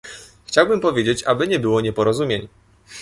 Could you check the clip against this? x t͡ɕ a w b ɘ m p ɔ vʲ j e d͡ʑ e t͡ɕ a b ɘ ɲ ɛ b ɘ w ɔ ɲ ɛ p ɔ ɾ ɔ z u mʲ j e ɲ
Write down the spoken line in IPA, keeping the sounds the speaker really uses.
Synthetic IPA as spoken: x t͡ɕ a w b ɘ m p ɔ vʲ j e d͡ʑ e t͡ɕ a b ɘ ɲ ɛ b ɘ w ɔ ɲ ɛ p ɔ ɾ ɔ z u mʲ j e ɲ